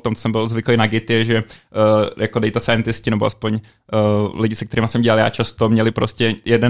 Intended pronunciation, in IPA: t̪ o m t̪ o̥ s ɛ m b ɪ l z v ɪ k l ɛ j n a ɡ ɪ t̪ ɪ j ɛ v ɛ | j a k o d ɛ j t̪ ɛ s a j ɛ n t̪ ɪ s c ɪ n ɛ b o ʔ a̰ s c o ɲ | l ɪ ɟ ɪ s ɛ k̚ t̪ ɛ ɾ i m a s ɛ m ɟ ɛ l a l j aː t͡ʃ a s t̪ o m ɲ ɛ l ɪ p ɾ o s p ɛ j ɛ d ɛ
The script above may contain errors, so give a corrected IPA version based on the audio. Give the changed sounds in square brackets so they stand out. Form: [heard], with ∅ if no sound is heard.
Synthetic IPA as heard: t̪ o m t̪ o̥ s ɛ m b ɪ l z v ɪ k l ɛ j n a ɡ ɪ t̪ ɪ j ɛ [ʒ] ɛ | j a k o d ɛ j t̪ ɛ s a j ɛ n t̪ ɪ s c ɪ n ɛ b o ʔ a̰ s [p] o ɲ | l ɪ ɟ ɪ s ɛ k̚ t̪ ɛ ɾ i m a s ɛ m ɟ ɛ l a l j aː t͡ʃ a s t̪ o m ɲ ɛ l ɪ p ɾ o s [c] ɛ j ɛ d ɛ